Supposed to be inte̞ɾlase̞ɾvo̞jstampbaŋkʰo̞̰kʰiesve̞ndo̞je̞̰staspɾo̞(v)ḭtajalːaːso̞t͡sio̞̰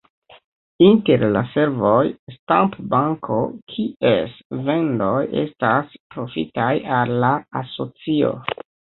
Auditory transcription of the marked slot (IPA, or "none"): f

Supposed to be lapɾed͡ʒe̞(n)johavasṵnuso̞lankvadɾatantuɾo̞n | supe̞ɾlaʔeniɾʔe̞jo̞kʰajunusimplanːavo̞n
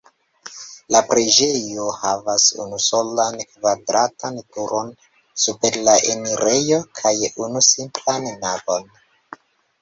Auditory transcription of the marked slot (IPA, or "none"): none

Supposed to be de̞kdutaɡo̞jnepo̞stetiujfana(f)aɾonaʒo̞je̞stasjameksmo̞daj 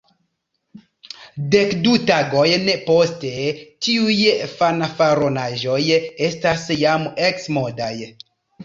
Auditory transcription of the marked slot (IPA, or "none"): f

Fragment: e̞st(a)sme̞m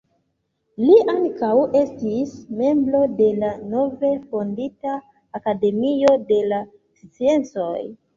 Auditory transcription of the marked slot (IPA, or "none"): i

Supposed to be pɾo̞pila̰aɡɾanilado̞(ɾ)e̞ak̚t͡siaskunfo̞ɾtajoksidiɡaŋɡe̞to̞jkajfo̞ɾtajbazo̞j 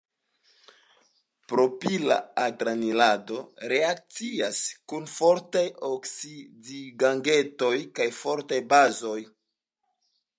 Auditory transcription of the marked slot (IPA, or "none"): ɾ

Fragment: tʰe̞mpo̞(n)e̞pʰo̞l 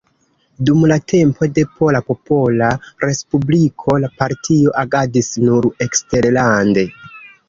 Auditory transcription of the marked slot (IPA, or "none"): d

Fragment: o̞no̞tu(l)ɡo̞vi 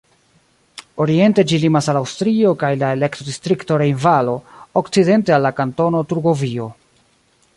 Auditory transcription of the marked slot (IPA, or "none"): ɾ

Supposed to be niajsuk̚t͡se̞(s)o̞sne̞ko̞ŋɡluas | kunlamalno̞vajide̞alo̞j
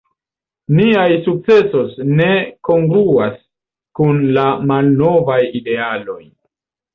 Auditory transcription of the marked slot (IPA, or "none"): s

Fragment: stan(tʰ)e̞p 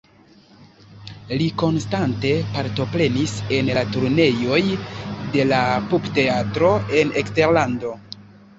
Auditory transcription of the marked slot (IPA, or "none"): t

